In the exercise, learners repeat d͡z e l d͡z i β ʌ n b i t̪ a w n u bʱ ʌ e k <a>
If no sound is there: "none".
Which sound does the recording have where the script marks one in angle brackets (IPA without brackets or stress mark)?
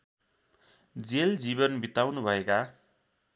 a